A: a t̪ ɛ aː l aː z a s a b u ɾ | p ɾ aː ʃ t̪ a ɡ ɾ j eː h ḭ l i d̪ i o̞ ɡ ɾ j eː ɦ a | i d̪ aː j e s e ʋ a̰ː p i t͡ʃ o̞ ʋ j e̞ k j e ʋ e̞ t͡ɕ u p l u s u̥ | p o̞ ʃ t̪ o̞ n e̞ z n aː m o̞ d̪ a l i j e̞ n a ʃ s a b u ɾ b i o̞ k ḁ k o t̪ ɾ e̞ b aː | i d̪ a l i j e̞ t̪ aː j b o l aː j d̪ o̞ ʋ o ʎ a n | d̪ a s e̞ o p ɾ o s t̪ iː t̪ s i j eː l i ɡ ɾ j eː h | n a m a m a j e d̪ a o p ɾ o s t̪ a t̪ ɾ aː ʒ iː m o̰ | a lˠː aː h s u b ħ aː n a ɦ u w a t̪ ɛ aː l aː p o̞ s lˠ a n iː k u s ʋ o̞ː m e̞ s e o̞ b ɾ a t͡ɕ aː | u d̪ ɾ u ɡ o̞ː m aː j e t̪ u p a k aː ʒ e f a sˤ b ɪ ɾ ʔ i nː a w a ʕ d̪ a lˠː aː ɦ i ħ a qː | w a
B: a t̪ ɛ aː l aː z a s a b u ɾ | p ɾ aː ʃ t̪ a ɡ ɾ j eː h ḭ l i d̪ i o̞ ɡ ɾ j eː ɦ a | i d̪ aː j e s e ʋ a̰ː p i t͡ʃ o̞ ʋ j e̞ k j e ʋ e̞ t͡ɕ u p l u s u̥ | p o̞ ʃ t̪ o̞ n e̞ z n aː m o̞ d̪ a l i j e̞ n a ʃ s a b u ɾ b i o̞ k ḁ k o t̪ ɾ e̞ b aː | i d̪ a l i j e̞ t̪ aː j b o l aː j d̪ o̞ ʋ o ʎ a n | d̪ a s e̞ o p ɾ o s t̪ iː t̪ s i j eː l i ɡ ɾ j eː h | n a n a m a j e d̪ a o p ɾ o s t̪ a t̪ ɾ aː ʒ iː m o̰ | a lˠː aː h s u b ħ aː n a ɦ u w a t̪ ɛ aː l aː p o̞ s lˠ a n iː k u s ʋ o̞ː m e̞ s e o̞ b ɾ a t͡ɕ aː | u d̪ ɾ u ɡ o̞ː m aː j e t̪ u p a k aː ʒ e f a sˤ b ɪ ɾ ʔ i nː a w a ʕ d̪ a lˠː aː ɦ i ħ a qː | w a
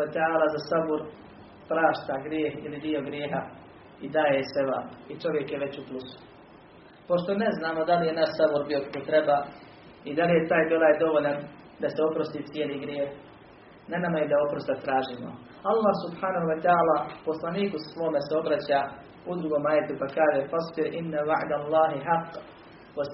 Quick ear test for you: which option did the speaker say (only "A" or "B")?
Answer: B